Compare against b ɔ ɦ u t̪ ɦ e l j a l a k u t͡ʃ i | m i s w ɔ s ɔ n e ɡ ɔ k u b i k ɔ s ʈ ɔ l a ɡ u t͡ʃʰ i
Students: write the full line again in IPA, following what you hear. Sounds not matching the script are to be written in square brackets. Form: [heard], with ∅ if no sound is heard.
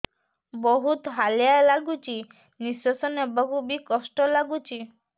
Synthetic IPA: b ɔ ɦ u t̪ ɦ [a] l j a l a [ɡ] u t͡ʃ i | [n] i s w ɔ s ɔ n e [b] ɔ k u b i k ɔ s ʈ ɔ l a ɡ u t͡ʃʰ i